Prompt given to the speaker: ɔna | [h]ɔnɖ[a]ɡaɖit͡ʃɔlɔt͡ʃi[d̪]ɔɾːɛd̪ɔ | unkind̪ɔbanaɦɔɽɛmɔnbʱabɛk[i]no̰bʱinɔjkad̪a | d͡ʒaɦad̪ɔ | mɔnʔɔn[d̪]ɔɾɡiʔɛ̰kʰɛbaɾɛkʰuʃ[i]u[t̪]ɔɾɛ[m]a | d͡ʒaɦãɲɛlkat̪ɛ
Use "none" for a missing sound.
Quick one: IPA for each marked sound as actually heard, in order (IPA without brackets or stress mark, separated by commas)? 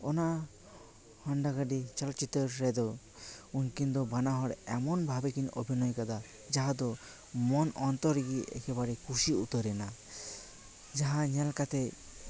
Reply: h, a, t̪, i, t̪, i, t̪, n